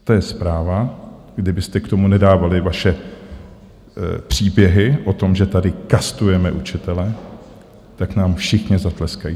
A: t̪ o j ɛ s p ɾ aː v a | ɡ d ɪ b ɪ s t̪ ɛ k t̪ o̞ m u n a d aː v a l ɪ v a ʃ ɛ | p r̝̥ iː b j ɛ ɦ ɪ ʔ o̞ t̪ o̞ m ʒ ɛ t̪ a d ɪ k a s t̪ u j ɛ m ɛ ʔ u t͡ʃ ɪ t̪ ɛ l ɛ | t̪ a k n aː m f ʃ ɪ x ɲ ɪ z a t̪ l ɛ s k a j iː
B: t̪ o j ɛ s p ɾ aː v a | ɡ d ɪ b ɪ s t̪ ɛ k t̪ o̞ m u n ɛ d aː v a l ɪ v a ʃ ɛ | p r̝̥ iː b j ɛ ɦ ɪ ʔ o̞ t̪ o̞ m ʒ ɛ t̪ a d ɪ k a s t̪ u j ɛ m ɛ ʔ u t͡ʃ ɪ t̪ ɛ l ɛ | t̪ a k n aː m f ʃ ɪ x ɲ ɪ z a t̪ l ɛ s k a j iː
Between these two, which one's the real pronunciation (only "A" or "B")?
B